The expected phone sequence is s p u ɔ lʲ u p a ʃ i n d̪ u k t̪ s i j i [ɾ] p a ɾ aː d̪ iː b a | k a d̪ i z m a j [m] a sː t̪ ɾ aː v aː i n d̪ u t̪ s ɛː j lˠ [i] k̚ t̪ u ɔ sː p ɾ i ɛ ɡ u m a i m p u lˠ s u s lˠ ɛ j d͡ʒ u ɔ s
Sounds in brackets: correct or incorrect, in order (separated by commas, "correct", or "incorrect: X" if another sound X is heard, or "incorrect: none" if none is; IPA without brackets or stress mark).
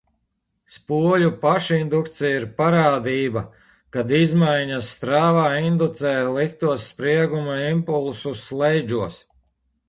correct, incorrect: ɲ, correct